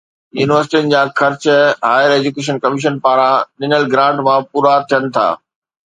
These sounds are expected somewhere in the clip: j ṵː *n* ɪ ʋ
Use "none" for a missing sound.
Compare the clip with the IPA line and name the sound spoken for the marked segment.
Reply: n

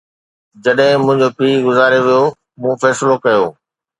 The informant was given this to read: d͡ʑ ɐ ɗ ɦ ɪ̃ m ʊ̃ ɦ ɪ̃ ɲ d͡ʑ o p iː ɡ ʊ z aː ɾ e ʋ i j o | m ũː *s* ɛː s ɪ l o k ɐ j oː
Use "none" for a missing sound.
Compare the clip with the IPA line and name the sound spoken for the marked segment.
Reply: f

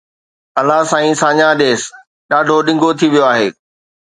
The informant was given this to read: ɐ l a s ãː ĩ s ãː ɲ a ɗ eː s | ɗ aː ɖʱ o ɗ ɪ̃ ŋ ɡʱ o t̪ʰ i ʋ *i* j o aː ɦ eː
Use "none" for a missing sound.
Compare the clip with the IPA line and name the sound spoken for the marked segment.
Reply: i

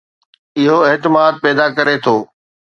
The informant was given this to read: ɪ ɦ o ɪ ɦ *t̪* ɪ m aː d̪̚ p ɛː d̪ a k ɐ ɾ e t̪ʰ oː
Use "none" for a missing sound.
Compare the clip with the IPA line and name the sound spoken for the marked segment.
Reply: t̪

